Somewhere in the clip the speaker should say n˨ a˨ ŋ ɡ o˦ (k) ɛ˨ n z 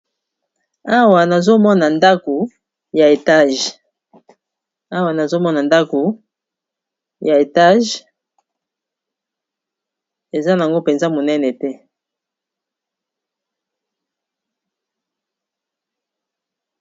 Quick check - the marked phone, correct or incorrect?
incorrect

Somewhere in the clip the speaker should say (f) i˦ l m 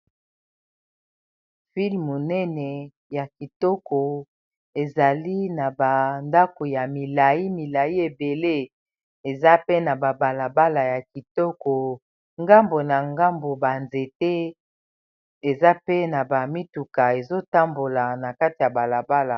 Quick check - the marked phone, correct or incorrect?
correct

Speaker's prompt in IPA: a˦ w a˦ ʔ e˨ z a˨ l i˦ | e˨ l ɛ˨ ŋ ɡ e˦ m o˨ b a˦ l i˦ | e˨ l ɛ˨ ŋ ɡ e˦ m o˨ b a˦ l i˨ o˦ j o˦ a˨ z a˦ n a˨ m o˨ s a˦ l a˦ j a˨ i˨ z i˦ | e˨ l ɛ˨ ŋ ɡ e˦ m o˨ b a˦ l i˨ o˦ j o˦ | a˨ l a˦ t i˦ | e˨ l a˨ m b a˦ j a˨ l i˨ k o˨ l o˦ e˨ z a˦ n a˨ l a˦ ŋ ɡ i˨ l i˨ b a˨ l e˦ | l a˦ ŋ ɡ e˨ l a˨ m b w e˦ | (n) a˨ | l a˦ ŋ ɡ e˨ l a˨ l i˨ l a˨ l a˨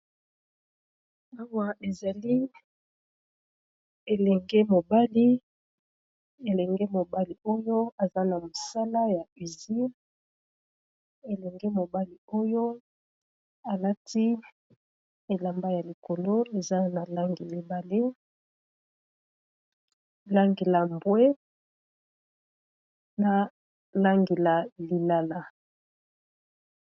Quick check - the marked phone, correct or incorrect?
correct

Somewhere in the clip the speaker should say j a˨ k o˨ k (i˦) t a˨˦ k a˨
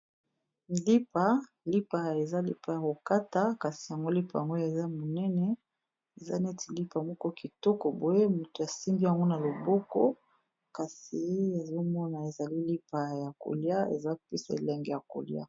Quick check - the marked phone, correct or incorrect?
incorrect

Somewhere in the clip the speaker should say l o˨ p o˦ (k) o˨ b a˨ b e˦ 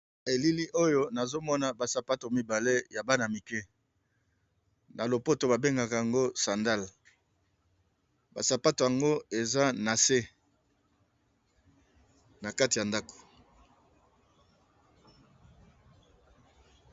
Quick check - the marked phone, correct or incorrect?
incorrect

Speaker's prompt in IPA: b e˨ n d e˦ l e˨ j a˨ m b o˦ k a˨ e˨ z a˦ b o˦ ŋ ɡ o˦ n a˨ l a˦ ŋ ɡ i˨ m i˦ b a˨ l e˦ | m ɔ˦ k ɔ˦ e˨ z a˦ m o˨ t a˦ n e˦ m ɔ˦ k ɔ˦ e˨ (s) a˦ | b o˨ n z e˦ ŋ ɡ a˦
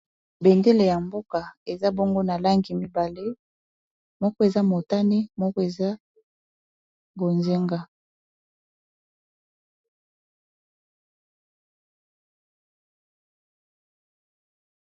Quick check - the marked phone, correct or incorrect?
incorrect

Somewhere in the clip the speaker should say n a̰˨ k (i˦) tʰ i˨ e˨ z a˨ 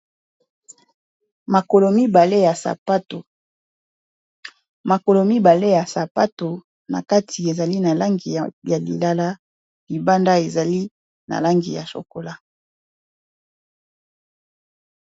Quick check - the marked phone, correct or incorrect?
incorrect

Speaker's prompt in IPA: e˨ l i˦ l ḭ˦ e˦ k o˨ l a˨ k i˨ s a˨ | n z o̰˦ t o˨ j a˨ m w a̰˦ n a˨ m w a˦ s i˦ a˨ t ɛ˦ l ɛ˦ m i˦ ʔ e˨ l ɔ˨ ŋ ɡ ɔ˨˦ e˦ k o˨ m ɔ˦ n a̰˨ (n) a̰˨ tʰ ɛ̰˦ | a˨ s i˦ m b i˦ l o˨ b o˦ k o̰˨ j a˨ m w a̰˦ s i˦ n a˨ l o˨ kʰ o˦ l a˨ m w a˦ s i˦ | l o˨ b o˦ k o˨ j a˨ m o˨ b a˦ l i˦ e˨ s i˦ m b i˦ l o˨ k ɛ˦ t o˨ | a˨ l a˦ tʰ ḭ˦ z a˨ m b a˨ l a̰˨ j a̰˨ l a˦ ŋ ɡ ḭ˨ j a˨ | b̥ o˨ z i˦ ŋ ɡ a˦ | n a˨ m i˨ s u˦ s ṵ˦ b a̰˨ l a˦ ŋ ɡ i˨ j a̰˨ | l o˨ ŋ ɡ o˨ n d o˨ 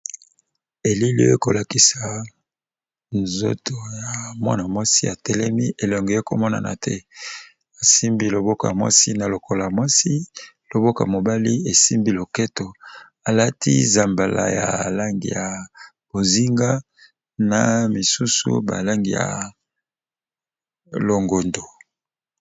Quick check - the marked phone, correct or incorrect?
correct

